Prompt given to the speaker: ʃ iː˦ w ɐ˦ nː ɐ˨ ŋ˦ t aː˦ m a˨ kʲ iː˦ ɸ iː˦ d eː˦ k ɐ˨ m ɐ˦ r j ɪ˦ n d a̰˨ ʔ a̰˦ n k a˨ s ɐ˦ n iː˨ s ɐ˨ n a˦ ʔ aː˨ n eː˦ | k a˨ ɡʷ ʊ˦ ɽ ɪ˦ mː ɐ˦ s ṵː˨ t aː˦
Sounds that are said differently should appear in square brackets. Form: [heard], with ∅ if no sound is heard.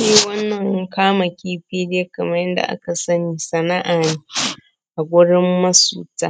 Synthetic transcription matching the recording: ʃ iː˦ w ɐ˦ nː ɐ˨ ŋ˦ [k] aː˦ m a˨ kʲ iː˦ ɸ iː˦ d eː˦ k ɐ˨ m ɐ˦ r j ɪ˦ n d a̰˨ ʔ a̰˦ [∅] k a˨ s ɐ˦ n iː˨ s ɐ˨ n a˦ ʔ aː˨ n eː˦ | [ʔ] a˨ ɡʷ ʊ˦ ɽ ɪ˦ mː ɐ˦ s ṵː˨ t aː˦